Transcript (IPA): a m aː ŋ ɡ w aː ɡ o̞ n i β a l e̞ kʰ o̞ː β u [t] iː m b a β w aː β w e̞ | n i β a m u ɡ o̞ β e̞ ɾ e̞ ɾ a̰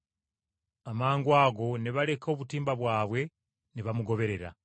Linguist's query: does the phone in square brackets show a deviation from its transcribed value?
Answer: no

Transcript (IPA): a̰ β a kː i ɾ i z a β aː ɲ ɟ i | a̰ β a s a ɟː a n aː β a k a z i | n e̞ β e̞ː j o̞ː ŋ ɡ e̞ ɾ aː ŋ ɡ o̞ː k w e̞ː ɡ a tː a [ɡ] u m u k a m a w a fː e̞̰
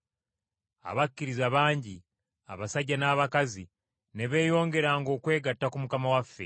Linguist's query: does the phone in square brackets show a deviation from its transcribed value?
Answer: yes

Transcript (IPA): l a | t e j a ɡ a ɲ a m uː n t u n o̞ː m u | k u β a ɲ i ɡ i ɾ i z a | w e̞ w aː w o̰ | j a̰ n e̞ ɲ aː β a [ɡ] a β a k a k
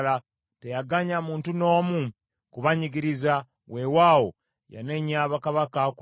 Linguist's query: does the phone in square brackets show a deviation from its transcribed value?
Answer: yes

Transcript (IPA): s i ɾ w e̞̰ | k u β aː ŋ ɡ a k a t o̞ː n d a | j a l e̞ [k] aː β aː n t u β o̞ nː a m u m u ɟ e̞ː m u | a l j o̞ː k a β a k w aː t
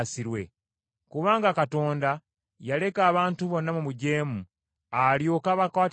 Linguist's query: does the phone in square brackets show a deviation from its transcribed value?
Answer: no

